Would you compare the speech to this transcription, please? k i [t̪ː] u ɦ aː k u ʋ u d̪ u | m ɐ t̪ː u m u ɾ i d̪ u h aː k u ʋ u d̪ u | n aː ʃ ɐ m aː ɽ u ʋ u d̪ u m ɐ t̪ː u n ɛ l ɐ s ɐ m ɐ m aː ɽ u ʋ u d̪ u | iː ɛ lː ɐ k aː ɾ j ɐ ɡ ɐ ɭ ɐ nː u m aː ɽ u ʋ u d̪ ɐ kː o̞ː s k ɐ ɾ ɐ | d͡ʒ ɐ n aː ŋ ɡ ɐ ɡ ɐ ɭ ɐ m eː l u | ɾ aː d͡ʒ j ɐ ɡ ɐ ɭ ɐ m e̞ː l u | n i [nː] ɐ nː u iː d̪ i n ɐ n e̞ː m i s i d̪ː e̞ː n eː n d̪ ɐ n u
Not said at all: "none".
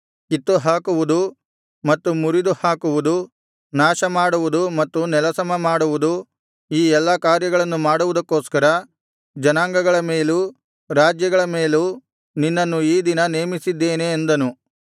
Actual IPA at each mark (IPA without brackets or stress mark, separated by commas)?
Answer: t̪ː, nː